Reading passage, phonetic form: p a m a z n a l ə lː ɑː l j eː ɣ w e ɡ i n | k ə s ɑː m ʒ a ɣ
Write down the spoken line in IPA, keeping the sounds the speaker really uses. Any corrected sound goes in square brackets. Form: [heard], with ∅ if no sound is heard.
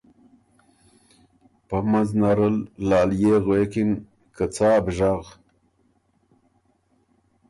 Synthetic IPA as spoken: p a m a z n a [ɾ] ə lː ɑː l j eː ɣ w e [k] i n | k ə [t͡s] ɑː [b] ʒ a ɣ